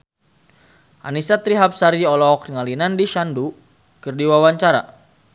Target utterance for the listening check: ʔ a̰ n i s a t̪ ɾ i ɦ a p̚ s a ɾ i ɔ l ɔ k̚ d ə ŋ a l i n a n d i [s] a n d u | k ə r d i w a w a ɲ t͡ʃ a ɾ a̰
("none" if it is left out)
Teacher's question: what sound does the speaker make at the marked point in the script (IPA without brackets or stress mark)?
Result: ʃ